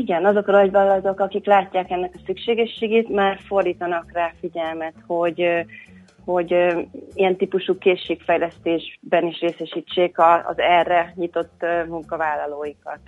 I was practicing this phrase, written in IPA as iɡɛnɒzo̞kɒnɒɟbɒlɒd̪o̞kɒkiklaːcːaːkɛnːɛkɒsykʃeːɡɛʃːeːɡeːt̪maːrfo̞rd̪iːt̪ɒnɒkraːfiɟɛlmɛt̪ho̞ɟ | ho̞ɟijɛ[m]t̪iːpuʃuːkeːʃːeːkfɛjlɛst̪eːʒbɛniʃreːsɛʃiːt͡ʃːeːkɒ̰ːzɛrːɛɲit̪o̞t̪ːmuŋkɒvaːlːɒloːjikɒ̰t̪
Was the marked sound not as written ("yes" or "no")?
yes